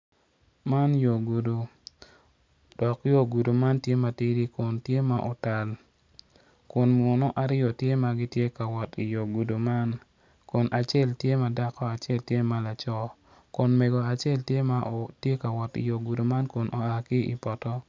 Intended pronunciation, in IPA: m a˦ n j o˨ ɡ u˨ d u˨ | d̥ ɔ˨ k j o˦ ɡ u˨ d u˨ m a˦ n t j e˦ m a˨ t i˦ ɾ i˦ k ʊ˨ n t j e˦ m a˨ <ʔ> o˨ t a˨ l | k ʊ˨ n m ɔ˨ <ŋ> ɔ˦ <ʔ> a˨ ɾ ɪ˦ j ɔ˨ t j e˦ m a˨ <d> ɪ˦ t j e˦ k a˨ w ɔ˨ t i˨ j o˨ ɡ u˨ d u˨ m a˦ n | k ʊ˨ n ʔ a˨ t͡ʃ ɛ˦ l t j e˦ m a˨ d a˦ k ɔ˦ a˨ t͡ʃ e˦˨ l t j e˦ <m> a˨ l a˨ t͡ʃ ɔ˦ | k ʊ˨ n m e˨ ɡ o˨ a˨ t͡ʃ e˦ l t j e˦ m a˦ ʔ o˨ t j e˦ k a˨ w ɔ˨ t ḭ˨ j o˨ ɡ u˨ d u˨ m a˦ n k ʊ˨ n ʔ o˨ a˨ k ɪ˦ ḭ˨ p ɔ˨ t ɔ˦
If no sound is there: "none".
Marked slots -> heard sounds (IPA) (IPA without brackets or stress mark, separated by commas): ʔ, n, ʔ, ɡ, m